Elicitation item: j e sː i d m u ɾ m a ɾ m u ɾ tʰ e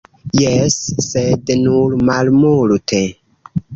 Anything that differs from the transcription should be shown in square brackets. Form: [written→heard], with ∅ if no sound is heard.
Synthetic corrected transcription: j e sː [i→e] d [m→n] u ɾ m a [ɾ→l] m u [ɾ→l] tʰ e

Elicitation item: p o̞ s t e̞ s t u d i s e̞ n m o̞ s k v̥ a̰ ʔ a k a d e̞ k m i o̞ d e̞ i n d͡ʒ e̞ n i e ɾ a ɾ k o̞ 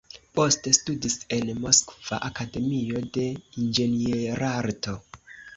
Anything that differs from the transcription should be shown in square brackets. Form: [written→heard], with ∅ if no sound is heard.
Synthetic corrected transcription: p o̞ s t e̞ s t u d i s e̞ n m o̞ s k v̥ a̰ ʔ a k a d e̞ [k→∅] m i o̞ d e̞ i n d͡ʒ e̞ n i e ɾ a ɾ [k→t] o̞

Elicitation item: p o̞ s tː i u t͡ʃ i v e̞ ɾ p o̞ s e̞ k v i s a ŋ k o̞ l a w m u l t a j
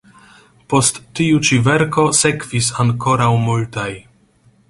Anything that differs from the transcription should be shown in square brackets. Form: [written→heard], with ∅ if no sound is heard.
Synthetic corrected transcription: p o̞ s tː i u t͡ʃ i v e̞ ɾ [p→k] o̞ s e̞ k v i s a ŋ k o̞ [l→ɾ] a w m u l t a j

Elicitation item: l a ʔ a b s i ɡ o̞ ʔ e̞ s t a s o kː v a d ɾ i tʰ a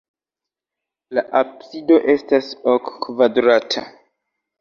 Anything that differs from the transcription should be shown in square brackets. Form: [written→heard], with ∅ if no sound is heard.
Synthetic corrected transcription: l a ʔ a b s i [ɡ→d] o̞ ʔ e̞ s t a s o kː v a d ɾ [i→a] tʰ a

